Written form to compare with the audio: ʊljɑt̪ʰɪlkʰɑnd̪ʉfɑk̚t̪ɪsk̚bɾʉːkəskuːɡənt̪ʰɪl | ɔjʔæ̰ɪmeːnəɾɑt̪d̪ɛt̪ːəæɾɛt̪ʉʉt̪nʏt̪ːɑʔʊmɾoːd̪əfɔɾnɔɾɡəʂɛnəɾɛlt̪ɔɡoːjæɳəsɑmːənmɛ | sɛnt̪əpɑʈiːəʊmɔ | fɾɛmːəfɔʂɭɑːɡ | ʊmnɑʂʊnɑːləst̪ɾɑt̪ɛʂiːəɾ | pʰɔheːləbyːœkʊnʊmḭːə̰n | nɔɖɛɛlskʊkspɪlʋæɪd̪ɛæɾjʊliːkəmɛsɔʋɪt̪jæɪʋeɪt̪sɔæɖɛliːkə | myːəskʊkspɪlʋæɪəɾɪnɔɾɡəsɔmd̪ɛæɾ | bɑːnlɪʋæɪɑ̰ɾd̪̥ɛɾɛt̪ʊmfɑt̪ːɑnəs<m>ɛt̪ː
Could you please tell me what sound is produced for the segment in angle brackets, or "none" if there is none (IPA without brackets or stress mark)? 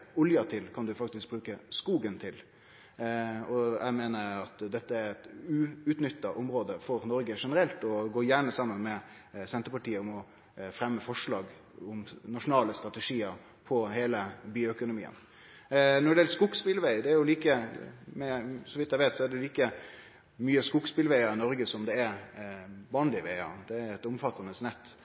n